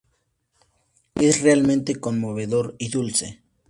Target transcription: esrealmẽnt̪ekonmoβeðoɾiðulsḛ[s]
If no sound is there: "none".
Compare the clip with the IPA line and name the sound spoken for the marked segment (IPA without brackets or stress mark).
none